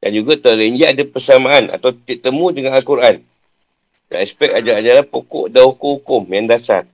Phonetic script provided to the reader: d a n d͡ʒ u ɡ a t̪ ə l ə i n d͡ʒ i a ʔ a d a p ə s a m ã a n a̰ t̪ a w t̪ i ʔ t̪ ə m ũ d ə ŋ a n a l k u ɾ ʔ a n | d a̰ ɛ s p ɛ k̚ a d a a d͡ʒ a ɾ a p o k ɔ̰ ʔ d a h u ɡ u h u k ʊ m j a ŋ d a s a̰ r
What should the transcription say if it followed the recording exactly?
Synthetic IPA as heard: d a n d͡ʒ u ɡ a t̪ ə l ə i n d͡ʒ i a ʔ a d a p ə s a m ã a n a̰ t̪ a w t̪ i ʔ t̪ ə m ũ d ə ŋ a n a l k u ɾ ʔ a n | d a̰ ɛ s p ɛ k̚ a d͡ʒ a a d͡ʒ a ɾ a p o k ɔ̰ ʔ d a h u k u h u k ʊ m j a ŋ d a s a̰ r